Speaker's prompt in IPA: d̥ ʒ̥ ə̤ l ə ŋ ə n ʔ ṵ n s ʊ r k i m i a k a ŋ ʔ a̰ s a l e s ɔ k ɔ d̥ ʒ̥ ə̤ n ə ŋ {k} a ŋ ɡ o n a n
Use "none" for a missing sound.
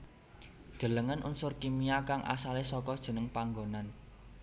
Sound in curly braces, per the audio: p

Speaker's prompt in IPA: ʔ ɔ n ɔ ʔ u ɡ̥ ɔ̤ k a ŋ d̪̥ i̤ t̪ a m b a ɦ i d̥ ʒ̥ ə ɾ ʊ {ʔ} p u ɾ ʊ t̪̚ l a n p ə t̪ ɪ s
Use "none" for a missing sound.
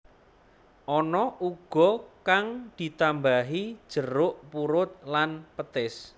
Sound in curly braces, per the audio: ʔ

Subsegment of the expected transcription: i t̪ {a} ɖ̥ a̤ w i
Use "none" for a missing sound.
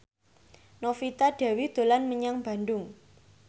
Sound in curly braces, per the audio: a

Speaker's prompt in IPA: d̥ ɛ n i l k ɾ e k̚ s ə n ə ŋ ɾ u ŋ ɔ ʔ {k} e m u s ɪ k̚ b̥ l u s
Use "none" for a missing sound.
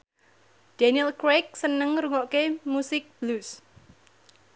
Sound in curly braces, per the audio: k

